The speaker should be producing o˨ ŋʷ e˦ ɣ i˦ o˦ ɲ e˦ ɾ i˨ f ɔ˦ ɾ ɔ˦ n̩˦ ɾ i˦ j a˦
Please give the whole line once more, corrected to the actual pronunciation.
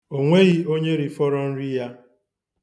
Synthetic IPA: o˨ ŋʷ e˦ ɣ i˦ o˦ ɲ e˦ ɾ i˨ f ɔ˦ ɾ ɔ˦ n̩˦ ɾ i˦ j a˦